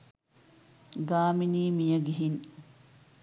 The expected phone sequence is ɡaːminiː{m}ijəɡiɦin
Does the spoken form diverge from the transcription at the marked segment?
no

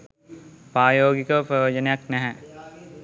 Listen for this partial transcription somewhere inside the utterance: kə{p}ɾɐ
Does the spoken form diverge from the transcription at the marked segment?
no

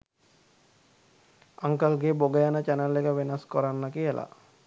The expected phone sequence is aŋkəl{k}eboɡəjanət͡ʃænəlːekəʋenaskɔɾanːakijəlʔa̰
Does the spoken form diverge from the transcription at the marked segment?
yes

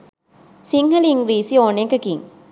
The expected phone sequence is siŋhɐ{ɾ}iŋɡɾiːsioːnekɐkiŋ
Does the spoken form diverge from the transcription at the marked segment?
yes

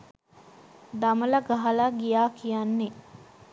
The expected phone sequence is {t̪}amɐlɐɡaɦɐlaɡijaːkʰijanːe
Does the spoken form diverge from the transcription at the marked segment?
yes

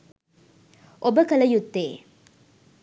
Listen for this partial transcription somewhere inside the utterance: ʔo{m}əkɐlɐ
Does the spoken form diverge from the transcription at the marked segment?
yes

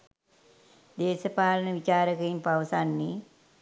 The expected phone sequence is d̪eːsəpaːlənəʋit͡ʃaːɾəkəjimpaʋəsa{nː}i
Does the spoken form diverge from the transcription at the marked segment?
no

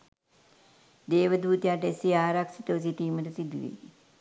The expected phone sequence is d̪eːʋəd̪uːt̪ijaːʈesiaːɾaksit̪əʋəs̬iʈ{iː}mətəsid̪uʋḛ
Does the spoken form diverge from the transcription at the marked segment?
no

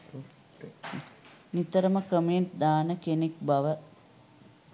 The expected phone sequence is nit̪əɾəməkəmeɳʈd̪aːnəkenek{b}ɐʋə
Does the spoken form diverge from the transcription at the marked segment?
no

